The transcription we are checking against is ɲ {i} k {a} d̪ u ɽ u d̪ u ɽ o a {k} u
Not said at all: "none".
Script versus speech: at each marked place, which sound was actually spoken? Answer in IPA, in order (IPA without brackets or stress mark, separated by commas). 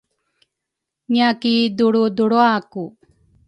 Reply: a, i, k